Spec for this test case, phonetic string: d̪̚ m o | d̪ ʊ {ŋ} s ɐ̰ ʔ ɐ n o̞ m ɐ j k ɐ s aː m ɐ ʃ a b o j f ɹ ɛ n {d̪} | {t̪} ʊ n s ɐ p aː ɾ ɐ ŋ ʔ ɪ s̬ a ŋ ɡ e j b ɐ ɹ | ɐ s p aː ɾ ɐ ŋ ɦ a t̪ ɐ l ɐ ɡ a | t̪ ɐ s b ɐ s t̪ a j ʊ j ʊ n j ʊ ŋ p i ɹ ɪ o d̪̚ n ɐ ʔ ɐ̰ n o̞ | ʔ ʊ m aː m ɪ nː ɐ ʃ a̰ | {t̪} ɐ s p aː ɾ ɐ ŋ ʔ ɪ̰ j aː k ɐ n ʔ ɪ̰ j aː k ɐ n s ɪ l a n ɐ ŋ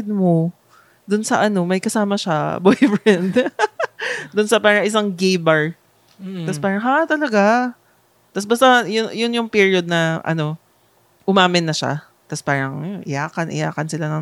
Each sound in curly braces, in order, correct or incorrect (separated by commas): incorrect, correct, incorrect, correct